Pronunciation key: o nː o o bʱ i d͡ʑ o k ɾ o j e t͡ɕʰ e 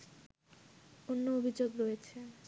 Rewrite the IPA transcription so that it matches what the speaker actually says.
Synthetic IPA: o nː o o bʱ i d͡ʑ o ɡ ɾ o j e t͡ɕʰ e